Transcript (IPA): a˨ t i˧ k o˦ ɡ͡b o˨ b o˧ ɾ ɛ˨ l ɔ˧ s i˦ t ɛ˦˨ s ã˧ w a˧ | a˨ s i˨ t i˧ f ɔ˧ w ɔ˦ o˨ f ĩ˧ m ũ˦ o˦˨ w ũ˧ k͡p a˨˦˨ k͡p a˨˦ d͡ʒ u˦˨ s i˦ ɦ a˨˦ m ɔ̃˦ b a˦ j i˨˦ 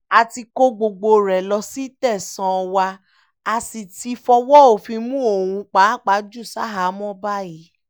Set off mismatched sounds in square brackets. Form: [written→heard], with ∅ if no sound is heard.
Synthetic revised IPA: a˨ t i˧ k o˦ ɡ͡b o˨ [b→ɡ͡b] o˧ ɾ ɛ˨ l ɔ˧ s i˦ t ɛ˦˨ s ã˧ w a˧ | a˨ s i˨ t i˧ f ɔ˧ w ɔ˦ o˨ f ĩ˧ m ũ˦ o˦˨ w ũ˧ k͡p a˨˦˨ k͡p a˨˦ d͡ʒ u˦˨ s [i˦→a˦] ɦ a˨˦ m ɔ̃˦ b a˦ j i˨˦